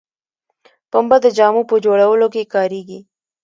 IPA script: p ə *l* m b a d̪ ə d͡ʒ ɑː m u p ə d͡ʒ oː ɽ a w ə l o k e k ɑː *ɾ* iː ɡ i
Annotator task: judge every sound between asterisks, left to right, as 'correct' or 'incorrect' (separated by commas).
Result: incorrect, correct